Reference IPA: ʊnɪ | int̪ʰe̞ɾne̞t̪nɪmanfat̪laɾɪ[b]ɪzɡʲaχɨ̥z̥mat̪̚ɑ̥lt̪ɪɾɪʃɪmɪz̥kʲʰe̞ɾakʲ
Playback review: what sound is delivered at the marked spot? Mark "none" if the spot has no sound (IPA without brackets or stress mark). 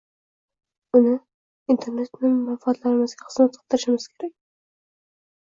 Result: m